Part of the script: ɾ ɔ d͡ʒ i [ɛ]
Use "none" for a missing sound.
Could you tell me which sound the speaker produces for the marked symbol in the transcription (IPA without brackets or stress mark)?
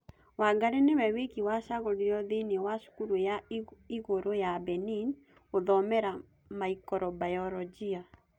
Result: a